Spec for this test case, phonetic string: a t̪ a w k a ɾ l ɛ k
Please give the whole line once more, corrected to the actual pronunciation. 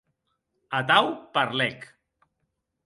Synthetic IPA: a t̪ a w p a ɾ l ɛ k